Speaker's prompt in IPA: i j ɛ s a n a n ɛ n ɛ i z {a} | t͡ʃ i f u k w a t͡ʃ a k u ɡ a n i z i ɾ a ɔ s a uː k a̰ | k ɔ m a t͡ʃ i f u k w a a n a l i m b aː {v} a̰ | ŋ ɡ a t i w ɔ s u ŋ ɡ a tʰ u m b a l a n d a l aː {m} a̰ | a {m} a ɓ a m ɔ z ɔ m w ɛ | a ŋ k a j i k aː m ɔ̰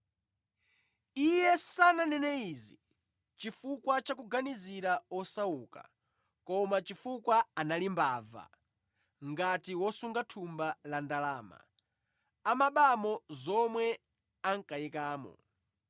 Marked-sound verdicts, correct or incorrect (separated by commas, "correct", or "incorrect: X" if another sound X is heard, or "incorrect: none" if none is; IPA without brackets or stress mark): incorrect: i, correct, correct, correct